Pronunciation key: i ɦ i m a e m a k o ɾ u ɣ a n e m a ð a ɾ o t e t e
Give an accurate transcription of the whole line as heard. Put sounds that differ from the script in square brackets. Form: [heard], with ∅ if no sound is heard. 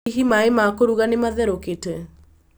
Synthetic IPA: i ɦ i m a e m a k o ɾ u ɣ a n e m a ð [ɛ] ɾ o [k] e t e